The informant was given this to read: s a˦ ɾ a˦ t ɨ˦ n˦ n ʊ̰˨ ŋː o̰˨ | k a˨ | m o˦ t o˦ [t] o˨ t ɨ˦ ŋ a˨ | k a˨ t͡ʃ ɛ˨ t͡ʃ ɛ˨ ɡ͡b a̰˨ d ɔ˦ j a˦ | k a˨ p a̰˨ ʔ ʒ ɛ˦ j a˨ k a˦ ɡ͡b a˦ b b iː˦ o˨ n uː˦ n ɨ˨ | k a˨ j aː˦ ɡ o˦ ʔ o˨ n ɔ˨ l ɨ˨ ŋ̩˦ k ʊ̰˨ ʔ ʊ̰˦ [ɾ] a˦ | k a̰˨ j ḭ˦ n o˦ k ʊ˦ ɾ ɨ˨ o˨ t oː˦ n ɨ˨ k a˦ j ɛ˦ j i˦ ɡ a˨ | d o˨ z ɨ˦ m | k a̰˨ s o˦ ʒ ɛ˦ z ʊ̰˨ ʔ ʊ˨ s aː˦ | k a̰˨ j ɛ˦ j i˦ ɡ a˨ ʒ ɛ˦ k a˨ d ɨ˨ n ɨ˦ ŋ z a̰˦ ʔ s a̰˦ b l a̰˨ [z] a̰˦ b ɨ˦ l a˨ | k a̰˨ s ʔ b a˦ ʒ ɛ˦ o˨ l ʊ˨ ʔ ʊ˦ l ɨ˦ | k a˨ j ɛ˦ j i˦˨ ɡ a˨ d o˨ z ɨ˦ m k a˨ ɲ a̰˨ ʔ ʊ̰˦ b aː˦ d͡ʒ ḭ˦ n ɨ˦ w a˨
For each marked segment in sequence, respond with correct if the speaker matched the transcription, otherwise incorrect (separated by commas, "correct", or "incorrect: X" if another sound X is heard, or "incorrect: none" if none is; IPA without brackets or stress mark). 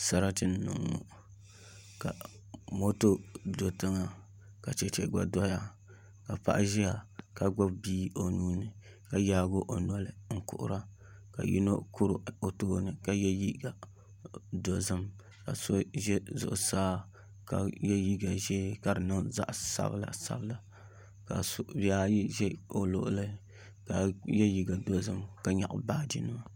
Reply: incorrect: d, correct, incorrect: s